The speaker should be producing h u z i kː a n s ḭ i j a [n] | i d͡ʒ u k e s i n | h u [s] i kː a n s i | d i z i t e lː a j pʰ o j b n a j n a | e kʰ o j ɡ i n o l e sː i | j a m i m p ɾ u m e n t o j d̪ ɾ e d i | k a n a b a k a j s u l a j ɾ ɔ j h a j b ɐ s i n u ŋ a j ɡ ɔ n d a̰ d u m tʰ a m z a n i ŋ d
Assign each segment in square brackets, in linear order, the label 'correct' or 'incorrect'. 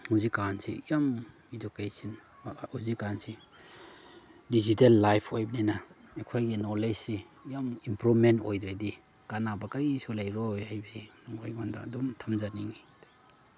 incorrect: m, incorrect: z

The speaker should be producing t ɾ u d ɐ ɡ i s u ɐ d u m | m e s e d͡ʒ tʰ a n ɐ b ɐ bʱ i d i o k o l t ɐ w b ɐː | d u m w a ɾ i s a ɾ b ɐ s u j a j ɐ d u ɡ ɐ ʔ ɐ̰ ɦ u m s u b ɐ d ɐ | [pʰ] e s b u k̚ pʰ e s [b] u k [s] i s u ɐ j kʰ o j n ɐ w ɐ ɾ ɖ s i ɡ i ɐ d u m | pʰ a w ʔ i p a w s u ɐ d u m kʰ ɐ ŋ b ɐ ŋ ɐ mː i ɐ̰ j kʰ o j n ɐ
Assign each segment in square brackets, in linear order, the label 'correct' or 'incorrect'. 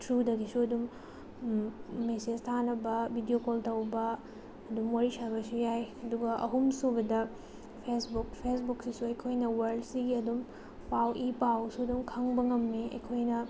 correct, correct, correct

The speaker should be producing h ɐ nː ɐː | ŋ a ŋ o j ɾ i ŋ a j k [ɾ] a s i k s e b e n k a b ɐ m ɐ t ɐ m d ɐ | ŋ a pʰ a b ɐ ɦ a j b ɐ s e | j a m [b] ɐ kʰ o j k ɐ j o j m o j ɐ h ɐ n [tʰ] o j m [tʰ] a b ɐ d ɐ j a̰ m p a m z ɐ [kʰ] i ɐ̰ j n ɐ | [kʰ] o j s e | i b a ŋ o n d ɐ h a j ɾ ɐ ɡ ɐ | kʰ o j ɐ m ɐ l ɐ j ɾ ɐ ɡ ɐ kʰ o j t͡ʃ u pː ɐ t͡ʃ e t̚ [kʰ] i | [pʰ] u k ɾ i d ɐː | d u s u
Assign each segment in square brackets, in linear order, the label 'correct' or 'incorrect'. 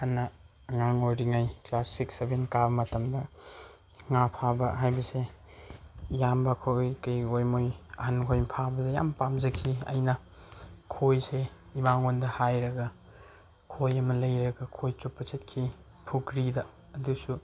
incorrect: l, correct, incorrect: kʰ, incorrect: pʰ, correct, correct, correct, correct

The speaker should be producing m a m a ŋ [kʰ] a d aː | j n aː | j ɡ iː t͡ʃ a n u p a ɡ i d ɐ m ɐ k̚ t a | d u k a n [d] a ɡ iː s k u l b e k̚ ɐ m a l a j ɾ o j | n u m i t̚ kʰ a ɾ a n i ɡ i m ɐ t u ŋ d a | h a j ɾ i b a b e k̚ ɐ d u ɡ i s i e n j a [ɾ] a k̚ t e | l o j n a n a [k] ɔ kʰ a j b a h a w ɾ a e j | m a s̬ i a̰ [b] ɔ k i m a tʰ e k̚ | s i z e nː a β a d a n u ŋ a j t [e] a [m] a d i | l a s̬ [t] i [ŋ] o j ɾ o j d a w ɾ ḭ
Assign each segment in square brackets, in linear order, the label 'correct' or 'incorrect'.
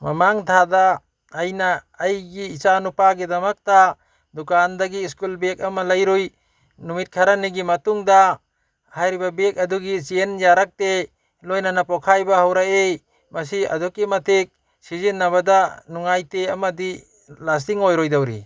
incorrect: tʰ, correct, correct, incorrect: p, incorrect: d, correct, correct, correct, correct

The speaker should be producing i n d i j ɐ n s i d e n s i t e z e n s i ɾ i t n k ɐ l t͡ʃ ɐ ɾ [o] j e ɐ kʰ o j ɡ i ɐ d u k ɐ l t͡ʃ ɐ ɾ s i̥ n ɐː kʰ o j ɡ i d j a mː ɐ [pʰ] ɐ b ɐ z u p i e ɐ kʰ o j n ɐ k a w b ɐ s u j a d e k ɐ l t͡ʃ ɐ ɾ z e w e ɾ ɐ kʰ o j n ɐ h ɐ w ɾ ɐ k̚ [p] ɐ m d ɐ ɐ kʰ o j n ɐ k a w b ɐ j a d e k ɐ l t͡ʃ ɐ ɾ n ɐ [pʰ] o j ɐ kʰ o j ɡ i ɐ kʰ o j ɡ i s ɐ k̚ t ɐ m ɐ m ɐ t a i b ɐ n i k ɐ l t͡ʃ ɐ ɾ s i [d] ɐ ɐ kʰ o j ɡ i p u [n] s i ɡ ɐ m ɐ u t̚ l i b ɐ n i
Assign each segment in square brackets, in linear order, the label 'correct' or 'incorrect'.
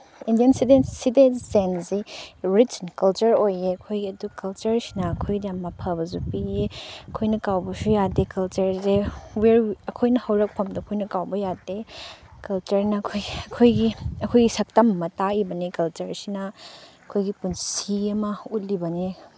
correct, correct, incorrect: pʰ, incorrect: kʰ, incorrect: n, correct

